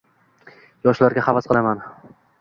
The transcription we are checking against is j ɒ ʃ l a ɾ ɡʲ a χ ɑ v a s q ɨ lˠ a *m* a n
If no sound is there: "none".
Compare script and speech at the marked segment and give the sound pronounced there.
m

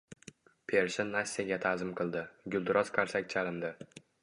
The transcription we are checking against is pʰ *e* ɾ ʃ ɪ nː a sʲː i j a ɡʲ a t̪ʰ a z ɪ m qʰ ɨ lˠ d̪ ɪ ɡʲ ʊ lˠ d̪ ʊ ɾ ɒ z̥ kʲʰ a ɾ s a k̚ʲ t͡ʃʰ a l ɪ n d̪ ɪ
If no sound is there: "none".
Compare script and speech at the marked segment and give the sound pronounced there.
e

